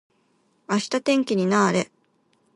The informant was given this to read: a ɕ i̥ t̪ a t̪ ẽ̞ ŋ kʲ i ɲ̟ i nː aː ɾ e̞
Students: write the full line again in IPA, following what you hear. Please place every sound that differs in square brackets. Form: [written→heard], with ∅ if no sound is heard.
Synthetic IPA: a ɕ i̥ t̪ a t̪ ẽ̞ ŋ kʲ i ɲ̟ i [nː→n] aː ɾ e̞